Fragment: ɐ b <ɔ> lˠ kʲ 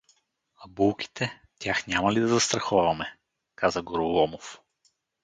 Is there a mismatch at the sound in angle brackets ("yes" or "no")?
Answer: yes